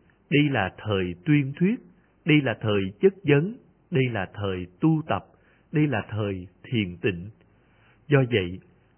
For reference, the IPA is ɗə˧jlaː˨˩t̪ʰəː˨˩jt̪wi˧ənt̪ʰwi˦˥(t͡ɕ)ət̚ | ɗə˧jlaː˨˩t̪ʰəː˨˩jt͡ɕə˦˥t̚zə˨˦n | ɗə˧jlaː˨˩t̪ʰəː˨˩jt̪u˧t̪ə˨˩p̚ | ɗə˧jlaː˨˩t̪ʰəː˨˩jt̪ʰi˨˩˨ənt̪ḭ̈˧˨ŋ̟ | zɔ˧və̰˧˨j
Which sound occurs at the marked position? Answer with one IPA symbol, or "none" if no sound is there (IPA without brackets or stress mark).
none